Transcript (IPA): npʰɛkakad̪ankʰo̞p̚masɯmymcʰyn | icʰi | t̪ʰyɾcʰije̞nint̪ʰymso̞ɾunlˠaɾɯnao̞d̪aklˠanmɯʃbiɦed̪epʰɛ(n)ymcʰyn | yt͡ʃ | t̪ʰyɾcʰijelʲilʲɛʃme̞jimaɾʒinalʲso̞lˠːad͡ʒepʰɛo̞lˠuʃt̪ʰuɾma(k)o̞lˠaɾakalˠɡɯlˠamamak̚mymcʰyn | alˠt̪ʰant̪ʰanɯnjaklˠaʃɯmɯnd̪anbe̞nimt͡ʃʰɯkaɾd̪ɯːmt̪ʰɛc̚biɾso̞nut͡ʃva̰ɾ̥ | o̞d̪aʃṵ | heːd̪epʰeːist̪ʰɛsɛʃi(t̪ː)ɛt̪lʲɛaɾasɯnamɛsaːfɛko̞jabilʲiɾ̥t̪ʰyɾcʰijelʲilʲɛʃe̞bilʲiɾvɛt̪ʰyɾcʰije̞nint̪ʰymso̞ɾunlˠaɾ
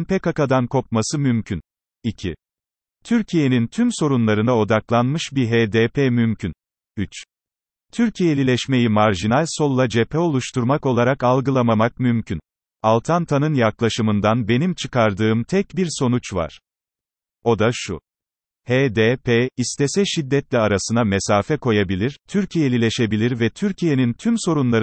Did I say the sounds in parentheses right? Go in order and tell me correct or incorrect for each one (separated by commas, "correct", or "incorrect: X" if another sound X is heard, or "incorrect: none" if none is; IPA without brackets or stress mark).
incorrect: m, correct, incorrect: d̪ː